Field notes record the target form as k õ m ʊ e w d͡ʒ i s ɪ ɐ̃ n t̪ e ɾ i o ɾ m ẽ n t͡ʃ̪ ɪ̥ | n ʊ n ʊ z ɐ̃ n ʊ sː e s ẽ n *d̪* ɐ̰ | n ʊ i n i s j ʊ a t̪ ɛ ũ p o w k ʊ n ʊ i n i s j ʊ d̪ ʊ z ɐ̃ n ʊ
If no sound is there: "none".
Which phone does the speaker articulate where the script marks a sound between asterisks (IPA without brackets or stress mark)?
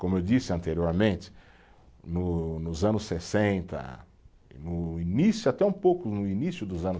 t̪